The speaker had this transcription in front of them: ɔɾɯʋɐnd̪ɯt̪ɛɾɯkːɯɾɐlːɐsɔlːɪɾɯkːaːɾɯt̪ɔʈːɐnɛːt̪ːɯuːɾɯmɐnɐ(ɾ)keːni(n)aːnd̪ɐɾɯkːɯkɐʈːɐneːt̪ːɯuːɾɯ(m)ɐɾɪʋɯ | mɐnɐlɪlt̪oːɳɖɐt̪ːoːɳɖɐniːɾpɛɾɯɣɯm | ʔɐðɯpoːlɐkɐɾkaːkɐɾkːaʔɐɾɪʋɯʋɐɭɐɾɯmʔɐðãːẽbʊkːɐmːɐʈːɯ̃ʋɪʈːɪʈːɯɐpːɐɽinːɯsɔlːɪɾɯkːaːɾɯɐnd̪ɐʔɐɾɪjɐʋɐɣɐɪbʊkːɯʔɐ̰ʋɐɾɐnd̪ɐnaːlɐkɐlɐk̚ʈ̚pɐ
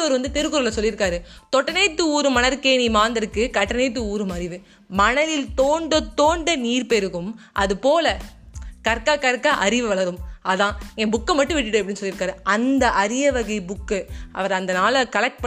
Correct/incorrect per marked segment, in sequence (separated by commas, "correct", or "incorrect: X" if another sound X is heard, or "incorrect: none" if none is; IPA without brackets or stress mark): correct, incorrect: m, correct